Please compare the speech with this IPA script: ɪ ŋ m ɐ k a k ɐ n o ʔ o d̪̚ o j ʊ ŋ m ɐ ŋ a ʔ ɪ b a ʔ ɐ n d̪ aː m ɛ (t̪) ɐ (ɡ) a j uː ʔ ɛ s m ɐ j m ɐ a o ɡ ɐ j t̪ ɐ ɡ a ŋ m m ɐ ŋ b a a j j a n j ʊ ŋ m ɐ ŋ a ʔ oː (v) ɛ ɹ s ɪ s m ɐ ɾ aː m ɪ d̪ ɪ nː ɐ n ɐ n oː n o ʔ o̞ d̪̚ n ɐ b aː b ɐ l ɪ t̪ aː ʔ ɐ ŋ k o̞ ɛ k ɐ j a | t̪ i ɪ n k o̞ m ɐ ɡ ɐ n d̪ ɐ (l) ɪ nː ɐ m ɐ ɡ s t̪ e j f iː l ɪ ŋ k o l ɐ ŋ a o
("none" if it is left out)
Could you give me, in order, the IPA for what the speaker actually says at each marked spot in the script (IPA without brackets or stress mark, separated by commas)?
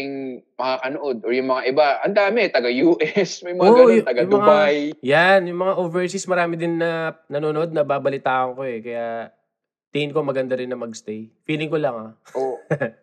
t̪, ɡ, v, ɾ